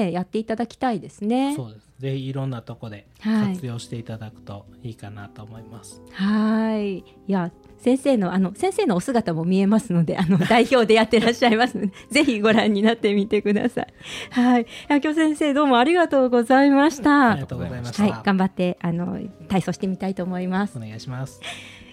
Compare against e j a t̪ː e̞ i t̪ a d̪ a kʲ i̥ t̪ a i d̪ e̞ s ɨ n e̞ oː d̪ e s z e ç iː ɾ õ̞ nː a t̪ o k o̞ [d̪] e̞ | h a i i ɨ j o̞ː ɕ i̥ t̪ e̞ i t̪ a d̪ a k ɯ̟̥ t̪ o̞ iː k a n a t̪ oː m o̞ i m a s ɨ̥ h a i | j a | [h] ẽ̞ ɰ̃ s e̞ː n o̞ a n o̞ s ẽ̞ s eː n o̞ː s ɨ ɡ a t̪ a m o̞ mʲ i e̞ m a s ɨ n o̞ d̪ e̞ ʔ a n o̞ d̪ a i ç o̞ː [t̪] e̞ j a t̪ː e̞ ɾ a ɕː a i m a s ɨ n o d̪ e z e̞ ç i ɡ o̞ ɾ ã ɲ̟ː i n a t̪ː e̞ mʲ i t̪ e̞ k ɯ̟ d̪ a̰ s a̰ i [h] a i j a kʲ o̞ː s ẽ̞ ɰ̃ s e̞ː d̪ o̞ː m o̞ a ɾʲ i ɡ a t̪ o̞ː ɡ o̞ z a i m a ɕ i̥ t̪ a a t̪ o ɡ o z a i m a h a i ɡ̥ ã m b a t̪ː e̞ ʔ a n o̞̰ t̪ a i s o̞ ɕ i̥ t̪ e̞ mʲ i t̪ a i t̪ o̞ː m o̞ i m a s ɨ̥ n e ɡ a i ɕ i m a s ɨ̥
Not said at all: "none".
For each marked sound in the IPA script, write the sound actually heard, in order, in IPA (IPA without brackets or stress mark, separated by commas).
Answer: d̪, s, d̪, h